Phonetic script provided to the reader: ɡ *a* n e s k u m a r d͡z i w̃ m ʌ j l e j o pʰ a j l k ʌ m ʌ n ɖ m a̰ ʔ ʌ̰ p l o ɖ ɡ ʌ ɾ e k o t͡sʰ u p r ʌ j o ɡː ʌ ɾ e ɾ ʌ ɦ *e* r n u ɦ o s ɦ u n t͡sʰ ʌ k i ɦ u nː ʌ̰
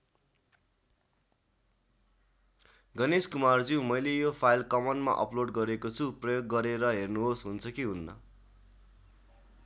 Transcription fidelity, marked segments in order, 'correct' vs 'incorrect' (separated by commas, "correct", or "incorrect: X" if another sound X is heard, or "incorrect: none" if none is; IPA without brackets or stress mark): incorrect: ʌ, correct